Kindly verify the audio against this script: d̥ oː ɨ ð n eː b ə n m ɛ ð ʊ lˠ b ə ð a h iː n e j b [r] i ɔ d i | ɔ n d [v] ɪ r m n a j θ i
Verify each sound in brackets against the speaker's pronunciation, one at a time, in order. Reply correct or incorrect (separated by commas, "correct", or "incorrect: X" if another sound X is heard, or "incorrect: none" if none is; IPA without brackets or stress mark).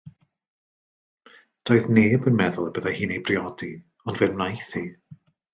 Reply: correct, correct